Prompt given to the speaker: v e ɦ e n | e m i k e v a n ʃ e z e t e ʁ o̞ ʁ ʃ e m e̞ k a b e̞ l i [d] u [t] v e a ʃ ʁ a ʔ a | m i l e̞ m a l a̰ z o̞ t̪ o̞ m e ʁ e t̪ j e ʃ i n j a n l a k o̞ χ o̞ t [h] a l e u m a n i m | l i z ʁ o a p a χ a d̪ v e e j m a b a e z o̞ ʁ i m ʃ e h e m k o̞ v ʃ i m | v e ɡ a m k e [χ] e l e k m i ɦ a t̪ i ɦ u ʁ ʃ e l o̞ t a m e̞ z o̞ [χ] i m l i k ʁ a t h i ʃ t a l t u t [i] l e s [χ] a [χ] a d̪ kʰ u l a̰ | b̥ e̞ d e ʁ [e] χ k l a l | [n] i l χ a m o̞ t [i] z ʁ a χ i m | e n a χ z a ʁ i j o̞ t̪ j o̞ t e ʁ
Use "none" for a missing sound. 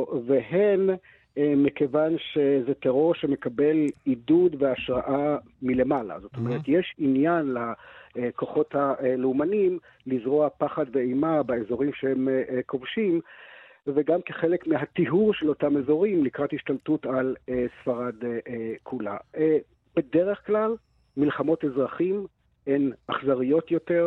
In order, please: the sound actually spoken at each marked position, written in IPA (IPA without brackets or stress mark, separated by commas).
d, d, h, χ, ʁ, a, f, ʁ, e, m, e